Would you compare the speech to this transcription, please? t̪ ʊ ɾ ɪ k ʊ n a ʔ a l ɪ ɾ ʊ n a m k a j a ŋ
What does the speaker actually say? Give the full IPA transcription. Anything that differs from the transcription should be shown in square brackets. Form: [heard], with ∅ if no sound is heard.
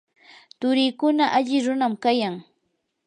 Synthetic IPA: t̪ ʊ ɾ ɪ k ʊ n a ʔ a [ʎ] ɪ ɾ ʊ n a m k a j a ŋ